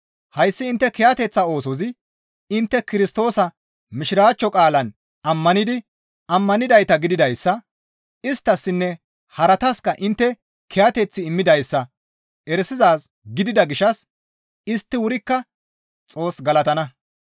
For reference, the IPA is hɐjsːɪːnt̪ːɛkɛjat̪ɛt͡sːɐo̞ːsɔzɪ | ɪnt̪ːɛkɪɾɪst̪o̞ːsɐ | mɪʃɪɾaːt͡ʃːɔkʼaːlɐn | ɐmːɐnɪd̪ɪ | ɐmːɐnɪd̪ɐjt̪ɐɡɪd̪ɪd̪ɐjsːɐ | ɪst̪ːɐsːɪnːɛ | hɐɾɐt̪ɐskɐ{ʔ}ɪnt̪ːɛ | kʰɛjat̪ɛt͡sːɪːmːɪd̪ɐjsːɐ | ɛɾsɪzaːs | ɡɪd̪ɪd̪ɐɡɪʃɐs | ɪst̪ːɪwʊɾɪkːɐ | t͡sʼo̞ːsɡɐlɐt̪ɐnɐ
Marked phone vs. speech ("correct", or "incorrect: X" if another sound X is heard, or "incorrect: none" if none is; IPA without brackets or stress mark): correct